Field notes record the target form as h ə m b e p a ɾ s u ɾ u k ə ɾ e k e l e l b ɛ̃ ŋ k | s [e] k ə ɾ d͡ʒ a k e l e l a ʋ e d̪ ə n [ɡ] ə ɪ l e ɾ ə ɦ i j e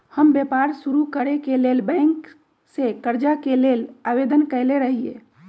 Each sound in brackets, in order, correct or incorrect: correct, incorrect: k

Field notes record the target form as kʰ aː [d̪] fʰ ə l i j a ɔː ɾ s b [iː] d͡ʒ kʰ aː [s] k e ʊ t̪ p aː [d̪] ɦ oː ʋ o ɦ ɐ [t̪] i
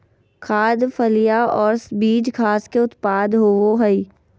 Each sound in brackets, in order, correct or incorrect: correct, correct, correct, correct, incorrect: none

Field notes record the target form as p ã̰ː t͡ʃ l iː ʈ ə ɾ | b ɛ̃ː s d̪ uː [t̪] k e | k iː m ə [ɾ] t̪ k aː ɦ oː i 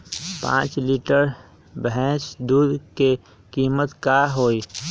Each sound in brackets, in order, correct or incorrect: incorrect: d̪, incorrect: none

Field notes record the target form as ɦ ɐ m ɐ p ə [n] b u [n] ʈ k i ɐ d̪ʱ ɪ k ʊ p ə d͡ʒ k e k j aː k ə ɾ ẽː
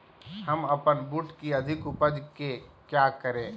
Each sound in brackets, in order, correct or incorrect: correct, incorrect: none

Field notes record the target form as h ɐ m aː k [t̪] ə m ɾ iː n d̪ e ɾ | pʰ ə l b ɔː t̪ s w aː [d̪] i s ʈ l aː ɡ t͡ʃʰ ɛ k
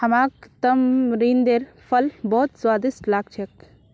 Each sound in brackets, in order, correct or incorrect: correct, correct

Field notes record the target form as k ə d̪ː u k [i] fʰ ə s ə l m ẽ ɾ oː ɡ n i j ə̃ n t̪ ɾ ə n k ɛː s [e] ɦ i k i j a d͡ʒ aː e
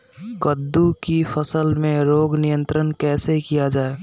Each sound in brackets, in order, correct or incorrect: correct, correct

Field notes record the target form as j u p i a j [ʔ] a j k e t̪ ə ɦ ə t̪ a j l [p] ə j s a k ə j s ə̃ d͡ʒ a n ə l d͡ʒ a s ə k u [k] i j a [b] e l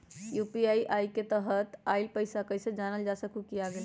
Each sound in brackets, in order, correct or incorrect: correct, correct, correct, incorrect: ɡ

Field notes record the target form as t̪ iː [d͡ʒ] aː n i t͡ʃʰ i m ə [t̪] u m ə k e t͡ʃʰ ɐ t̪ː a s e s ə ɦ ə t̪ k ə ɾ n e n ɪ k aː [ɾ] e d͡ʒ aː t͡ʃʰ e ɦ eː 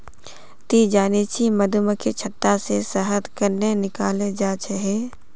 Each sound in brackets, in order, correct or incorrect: correct, incorrect: d̪, incorrect: l

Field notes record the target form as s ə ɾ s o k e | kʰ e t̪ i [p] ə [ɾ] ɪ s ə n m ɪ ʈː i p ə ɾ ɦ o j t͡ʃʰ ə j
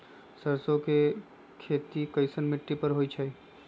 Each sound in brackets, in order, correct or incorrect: incorrect: k, incorrect: none

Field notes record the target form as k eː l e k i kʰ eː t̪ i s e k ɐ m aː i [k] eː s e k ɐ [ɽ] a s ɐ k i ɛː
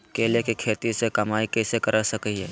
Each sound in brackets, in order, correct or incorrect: correct, incorrect: ɾ

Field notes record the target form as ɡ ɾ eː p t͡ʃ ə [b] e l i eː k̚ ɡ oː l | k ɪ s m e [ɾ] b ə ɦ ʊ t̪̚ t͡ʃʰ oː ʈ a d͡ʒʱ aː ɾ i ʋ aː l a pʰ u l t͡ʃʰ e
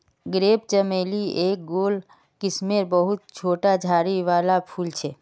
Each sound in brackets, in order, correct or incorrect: incorrect: m, correct

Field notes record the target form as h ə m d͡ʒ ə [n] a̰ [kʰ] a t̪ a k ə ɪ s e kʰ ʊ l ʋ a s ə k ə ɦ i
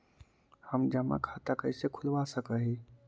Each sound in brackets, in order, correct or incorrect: incorrect: m, correct

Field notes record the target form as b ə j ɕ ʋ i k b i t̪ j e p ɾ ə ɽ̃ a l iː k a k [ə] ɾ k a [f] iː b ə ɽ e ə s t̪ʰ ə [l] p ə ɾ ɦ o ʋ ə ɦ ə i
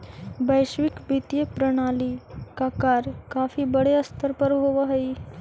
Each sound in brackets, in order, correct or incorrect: incorrect: a, correct, incorrect: ɾ

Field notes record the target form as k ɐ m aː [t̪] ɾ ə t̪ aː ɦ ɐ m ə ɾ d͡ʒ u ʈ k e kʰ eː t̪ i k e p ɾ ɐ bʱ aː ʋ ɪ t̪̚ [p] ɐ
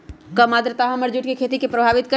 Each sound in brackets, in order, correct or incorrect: incorrect: d̪, incorrect: k

